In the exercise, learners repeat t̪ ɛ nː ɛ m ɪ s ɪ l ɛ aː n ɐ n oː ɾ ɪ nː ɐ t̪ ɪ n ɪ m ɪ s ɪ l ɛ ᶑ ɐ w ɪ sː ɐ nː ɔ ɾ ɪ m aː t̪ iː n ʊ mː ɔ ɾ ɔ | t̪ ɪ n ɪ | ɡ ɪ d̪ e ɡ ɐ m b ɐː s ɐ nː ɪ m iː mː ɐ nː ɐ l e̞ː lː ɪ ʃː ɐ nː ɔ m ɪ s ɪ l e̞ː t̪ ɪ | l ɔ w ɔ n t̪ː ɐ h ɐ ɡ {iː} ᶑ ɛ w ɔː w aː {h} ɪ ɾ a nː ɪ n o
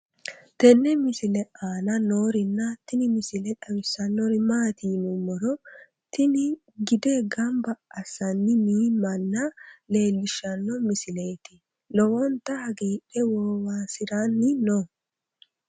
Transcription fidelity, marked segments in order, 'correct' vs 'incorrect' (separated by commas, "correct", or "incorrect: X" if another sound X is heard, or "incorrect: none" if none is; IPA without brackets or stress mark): correct, incorrect: s